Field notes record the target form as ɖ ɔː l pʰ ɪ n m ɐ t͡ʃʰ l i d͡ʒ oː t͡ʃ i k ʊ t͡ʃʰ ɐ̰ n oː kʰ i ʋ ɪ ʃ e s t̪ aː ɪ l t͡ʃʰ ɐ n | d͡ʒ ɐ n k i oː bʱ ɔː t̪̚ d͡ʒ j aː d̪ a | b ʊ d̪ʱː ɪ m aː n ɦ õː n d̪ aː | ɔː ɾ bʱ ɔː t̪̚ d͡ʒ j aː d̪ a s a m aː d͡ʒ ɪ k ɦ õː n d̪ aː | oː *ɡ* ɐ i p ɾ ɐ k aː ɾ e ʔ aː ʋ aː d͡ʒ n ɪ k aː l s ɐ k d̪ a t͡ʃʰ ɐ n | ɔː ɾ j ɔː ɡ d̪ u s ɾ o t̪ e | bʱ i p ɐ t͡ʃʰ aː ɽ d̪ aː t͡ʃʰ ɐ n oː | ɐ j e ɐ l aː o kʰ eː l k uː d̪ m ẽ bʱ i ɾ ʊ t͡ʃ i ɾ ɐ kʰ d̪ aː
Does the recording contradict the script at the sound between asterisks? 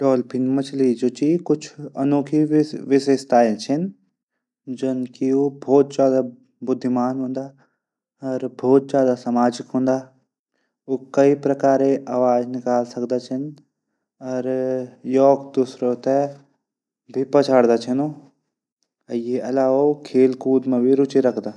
yes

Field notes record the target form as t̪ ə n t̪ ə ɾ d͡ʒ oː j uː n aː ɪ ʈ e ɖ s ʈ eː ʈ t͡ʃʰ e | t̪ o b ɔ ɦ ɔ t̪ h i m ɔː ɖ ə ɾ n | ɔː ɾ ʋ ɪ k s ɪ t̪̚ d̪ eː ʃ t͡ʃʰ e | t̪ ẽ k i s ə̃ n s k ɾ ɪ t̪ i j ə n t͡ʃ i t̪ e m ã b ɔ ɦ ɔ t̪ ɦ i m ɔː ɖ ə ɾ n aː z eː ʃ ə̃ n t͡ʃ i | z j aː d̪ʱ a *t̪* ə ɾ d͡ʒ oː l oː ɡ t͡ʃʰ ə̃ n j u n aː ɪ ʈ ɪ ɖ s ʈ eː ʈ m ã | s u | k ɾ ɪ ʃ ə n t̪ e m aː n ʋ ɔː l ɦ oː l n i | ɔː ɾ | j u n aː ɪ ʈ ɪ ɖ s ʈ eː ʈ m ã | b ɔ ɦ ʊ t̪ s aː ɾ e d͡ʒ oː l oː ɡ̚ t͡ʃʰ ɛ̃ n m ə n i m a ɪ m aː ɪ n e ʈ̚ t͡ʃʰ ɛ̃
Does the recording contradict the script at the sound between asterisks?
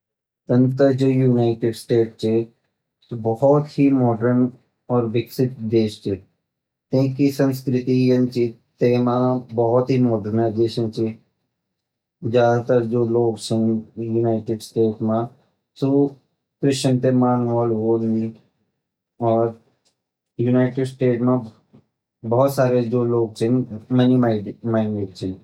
no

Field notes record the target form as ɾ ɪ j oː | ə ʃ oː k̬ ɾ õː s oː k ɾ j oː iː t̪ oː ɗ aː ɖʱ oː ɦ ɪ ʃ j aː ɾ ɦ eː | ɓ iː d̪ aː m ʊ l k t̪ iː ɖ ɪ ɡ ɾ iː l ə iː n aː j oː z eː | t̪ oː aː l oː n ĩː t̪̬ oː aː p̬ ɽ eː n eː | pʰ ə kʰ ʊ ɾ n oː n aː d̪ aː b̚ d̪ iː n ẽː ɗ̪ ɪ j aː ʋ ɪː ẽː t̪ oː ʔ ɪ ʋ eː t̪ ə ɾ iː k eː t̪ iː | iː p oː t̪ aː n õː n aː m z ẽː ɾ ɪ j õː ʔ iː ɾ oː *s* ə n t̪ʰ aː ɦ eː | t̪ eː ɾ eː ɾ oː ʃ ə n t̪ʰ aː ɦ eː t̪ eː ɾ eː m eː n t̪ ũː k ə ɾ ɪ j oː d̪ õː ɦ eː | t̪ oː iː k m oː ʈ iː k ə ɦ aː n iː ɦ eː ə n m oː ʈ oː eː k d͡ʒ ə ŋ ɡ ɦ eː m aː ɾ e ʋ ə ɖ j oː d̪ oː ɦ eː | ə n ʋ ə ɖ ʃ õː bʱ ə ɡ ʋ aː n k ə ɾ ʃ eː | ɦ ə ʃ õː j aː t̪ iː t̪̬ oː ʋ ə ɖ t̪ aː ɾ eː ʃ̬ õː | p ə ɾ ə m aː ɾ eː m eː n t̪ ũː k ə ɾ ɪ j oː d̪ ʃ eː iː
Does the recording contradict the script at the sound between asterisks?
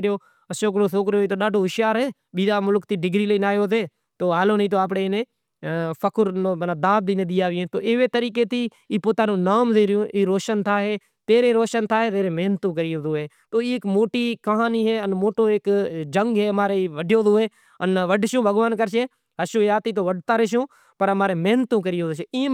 yes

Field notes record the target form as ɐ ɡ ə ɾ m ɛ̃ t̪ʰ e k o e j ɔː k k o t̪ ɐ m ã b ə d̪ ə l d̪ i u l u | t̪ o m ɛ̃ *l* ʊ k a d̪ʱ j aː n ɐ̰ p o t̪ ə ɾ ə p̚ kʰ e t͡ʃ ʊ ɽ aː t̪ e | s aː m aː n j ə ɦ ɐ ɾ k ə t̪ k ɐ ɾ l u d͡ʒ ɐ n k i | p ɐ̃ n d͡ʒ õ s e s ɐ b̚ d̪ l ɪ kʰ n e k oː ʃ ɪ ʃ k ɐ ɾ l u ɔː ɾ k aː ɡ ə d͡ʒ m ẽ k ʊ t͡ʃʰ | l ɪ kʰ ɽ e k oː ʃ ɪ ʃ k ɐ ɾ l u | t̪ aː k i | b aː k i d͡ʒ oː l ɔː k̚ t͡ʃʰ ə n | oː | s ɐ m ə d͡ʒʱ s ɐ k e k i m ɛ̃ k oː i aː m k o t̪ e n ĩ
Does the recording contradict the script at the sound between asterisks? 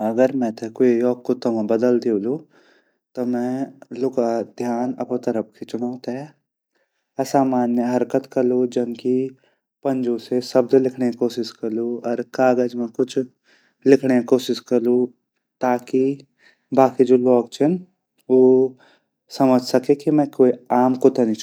no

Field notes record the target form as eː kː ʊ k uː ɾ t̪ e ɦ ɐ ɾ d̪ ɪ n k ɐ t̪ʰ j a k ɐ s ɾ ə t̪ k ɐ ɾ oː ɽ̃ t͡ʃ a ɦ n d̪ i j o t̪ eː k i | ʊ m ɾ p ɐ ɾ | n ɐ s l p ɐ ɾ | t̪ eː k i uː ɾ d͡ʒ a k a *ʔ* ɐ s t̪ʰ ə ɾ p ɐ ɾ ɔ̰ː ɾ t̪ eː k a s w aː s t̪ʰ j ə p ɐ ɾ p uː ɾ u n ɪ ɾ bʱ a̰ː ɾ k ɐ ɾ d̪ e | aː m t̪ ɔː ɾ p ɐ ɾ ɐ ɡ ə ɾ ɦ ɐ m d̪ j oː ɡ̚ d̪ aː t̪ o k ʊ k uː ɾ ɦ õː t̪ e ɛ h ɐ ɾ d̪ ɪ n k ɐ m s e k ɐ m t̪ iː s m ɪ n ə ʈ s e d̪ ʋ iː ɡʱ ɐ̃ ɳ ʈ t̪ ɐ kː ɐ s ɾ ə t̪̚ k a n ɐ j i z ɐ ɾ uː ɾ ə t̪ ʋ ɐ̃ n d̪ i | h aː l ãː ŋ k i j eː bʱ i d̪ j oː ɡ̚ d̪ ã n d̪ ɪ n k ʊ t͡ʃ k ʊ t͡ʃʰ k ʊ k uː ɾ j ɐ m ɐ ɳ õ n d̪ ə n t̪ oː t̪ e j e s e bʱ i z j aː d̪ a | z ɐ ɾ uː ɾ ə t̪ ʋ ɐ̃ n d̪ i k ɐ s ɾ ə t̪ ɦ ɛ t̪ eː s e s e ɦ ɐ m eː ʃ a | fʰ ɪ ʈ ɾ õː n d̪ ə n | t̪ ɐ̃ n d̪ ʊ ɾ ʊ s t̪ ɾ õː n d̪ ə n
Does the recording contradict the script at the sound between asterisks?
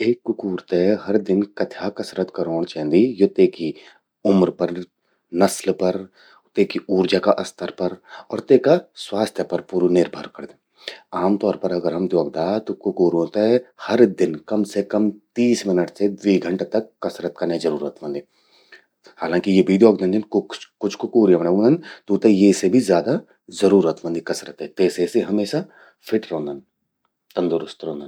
no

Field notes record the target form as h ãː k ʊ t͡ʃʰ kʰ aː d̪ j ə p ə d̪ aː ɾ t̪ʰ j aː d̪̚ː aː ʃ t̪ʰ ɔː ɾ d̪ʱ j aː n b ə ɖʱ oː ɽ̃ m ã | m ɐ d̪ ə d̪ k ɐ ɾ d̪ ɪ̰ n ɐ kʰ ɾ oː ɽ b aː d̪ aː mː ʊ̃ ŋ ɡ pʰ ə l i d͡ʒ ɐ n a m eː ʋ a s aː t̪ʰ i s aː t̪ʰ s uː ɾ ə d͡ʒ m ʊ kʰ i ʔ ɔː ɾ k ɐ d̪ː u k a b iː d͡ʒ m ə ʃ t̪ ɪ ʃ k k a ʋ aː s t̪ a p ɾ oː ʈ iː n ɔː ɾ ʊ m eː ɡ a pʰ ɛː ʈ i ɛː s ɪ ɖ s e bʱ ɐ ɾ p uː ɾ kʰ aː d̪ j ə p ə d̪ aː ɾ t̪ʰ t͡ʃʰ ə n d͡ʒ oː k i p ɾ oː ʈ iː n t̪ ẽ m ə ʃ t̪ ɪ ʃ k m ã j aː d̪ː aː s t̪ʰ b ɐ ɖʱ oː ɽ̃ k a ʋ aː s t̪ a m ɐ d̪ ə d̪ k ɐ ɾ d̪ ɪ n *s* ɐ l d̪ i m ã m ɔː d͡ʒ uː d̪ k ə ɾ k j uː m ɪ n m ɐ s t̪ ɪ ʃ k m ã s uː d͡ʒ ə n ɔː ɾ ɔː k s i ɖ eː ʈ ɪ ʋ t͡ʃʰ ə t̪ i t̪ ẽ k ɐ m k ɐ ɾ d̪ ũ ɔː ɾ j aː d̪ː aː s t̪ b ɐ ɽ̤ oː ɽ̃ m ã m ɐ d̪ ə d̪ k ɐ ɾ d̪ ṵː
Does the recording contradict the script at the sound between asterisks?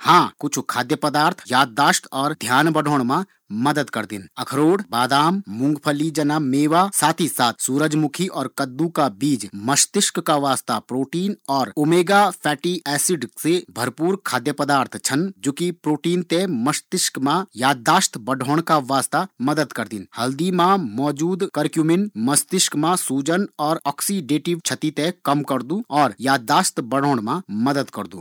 yes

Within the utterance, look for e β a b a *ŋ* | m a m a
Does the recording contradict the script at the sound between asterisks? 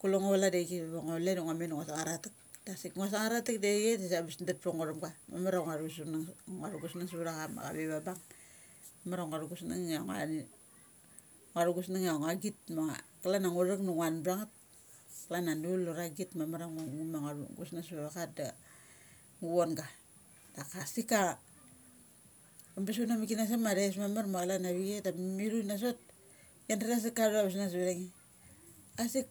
no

